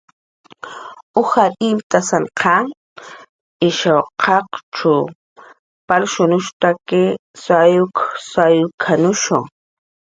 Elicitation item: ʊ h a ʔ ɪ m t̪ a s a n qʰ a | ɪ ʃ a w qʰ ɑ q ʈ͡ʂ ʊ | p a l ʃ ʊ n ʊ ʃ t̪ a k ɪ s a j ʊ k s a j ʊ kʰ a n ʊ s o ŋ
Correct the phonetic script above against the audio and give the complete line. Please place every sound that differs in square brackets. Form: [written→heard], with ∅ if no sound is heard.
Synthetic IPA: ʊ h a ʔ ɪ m t̪ a s a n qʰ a | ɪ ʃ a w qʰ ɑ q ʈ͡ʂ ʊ | p a l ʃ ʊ n ʊ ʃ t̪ a k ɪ s a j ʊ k s a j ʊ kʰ a n ʊ [s→ʃ] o ŋ